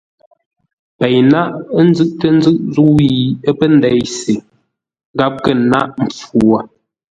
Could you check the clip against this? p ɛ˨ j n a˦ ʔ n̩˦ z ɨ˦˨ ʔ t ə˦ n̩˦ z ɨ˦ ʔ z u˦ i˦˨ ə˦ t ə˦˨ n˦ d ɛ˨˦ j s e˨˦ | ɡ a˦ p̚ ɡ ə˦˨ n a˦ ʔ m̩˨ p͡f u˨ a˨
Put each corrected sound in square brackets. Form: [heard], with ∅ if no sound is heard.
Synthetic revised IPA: p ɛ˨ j n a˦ ʔ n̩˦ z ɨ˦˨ ʔ t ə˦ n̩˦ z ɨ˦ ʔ z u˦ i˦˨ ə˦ [p] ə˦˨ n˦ d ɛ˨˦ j s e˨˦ | ɡ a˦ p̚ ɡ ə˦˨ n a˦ ʔ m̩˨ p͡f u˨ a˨